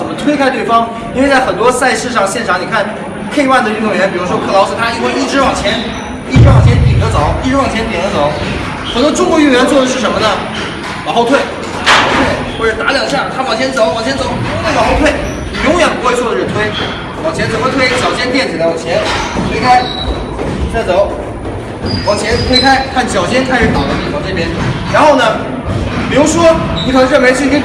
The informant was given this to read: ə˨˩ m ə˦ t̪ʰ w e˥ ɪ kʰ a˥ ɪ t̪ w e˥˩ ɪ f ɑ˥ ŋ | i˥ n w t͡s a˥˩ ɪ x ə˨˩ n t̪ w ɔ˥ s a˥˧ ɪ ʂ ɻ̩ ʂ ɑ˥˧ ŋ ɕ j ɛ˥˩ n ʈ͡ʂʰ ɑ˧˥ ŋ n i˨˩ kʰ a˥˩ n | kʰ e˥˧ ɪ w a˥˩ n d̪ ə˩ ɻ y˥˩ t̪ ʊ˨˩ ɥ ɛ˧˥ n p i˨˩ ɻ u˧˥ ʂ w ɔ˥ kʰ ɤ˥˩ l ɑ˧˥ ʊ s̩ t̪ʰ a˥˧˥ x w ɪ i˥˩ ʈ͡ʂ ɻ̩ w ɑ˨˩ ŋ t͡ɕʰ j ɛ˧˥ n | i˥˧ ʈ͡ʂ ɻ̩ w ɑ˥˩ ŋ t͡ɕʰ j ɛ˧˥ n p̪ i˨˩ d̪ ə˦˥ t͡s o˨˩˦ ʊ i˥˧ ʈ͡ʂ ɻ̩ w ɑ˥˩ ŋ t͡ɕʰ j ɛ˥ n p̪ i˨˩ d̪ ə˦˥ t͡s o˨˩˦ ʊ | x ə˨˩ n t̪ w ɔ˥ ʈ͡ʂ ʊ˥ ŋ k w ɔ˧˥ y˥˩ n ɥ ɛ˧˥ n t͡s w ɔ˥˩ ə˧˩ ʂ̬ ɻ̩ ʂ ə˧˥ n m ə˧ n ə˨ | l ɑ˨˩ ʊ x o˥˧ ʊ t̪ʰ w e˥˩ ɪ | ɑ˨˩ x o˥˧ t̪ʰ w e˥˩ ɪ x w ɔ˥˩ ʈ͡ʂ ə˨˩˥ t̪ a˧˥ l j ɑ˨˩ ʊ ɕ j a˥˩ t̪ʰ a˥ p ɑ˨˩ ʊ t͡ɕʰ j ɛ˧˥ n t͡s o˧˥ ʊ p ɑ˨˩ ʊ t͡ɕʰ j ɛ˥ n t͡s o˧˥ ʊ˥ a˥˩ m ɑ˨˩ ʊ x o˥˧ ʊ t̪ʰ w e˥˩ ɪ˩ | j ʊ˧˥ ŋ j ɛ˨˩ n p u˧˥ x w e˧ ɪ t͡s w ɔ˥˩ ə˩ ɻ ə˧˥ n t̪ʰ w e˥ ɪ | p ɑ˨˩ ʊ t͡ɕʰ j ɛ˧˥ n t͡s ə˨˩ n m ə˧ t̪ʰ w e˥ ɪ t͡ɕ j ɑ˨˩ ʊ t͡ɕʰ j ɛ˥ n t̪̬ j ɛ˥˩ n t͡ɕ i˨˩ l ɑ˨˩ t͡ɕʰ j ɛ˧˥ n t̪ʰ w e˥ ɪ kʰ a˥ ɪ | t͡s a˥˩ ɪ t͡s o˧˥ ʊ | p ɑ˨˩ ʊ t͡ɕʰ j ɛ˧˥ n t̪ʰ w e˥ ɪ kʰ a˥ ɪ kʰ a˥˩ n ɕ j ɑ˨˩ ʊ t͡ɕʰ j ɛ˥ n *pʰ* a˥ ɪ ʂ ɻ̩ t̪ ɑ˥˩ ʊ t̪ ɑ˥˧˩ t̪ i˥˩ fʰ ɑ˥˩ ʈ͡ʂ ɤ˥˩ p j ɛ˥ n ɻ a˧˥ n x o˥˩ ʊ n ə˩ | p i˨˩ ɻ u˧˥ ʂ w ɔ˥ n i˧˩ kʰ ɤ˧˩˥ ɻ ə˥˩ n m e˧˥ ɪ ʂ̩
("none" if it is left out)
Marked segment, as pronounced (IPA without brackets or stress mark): kʰ